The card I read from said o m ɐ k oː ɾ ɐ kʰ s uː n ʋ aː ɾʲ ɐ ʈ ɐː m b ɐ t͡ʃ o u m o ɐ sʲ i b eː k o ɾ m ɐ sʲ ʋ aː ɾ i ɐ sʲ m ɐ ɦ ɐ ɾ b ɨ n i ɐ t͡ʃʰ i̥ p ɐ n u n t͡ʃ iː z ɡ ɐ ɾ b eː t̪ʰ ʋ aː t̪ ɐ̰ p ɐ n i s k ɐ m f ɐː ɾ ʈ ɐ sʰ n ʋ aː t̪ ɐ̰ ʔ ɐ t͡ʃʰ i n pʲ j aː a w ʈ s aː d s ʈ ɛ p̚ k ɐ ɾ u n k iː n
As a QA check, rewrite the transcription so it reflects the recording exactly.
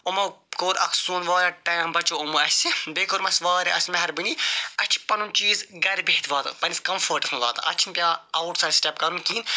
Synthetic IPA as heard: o m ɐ k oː ɾ ɐ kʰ s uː n ʋ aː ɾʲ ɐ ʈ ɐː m b ɐ t͡ʃ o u m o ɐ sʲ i b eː k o ɾ m ɐ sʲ ʋ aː ɾ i ɐ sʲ m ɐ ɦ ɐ ɾ b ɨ n i ɐ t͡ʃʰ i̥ p ɐ n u n t͡ʃ iː z ɡ ɐ ɾ b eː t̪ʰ ʋ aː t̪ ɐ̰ p ɐ n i s k ɐ m f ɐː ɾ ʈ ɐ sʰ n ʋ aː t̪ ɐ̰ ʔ ɐ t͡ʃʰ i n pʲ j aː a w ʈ s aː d s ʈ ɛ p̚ k ɐ ɾ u n k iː n